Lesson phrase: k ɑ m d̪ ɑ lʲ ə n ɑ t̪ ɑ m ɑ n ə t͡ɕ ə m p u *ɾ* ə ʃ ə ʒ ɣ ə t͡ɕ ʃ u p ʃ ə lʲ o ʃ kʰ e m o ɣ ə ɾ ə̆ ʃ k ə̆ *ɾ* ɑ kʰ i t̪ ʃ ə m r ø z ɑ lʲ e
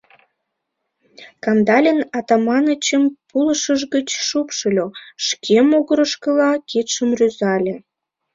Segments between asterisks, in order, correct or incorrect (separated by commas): incorrect, incorrect